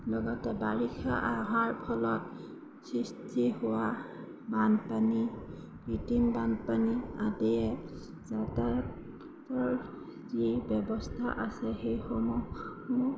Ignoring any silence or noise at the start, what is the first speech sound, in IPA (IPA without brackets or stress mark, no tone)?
l